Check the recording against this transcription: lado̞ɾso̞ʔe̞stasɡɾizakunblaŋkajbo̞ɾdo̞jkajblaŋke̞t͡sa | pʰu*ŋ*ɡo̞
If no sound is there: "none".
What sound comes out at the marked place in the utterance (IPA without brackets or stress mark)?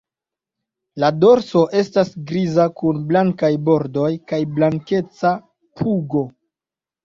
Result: none